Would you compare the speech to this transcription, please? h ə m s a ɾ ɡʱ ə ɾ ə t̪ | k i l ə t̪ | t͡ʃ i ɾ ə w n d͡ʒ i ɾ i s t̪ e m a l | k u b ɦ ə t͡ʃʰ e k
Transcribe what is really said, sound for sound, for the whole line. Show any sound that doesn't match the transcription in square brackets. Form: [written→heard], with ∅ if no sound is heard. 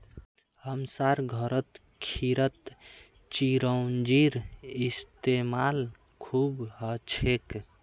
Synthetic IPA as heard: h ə m s a ɾ ɡʱ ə ɾ ə t̪ | [k→kʰ] i [l→ɾ] ə t̪ | t͡ʃ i ɾ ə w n d͡ʒ i ɾ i s t̪ e m a l | [k→kʰ] u b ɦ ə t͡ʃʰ e k

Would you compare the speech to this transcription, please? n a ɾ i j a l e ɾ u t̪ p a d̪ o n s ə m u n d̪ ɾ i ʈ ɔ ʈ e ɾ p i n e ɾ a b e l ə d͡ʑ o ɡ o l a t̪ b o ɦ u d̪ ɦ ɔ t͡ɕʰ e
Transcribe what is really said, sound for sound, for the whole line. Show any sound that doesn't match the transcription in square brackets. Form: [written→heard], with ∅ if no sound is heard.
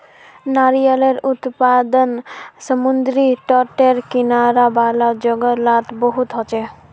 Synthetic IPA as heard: n a ɾ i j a l e ɾ u t̪ p a d̪ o n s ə m u n d̪ ɾ i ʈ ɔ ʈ e ɾ [p→k] i n [e→a] ɾ a b [e→a] l [ə→a] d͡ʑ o ɡ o l a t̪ b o ɦ u [d̪→t̪] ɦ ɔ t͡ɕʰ e

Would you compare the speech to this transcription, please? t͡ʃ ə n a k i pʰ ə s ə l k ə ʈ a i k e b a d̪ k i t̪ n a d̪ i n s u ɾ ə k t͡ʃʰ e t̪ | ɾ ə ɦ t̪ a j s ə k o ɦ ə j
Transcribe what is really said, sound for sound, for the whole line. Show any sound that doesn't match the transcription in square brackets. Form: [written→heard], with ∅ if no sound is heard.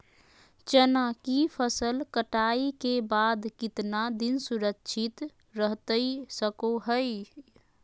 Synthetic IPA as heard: t͡ʃ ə n a k i pʰ ə s ə l k ə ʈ a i k e b a d̪ k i t̪ n a d̪ i n s u ɾ ə k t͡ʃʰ [e→i] t̪ | ɾ ə ɦ t̪ [a→ə] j s ə k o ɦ ə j

